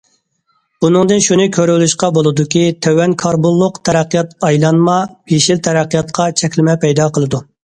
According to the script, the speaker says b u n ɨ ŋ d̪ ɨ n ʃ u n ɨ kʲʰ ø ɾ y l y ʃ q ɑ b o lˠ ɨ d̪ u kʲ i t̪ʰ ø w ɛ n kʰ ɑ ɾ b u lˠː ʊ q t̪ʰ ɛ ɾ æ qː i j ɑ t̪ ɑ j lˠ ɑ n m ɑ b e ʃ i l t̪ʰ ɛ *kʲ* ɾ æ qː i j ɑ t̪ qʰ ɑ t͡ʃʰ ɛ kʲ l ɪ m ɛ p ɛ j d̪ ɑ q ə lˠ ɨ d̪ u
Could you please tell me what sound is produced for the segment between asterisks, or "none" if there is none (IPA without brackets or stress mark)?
none